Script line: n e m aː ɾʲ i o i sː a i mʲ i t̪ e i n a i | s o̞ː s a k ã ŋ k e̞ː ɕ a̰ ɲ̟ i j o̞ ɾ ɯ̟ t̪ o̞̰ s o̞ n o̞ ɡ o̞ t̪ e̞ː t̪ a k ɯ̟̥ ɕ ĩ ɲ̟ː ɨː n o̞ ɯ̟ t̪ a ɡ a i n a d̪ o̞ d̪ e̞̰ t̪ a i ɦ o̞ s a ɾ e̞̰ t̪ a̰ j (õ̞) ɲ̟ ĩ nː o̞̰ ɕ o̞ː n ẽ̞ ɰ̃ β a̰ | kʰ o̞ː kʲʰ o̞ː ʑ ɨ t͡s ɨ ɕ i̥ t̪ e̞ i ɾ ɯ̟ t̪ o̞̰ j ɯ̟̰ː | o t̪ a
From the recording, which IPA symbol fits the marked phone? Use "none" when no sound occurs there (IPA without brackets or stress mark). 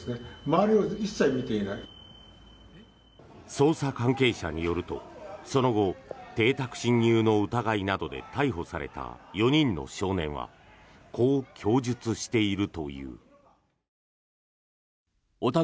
o̞